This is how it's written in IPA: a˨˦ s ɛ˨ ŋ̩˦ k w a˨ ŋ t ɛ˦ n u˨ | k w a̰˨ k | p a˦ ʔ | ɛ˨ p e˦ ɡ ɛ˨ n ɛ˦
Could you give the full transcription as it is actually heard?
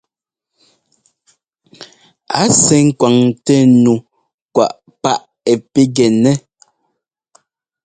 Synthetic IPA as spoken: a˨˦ s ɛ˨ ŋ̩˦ k w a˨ ŋ t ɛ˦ n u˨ | k w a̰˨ ʔ | p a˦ ʔ | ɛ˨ p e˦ ɡ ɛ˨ n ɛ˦